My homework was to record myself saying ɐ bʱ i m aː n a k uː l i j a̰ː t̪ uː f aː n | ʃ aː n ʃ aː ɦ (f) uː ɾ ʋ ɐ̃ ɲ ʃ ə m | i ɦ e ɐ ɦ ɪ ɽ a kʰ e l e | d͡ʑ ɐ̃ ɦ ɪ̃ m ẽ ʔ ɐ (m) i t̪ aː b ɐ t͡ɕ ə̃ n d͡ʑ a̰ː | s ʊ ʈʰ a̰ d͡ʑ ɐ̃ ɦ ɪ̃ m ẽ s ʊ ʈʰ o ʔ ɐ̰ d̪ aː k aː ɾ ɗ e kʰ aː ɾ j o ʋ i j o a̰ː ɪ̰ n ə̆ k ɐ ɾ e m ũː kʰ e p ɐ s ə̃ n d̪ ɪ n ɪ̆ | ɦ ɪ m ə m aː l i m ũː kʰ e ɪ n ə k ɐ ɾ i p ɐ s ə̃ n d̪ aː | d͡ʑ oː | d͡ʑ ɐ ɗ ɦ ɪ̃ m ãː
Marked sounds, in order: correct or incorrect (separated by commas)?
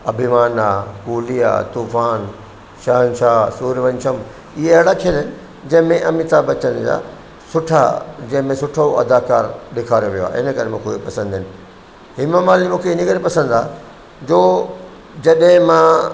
incorrect, correct